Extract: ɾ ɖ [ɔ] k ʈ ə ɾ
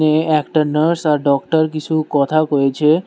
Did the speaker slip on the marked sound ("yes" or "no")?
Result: no